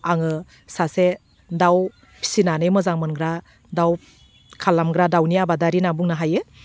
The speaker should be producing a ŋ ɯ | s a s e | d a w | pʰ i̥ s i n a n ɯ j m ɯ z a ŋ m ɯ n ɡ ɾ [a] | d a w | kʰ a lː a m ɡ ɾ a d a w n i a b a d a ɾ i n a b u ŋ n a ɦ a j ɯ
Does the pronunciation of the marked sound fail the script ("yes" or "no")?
no